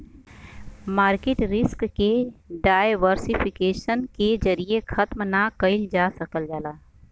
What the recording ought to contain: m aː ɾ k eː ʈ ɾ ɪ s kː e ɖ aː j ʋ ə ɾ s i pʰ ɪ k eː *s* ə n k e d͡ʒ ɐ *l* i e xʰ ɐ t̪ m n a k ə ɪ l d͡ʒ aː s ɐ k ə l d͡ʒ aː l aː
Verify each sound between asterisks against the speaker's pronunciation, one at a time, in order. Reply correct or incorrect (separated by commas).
incorrect, incorrect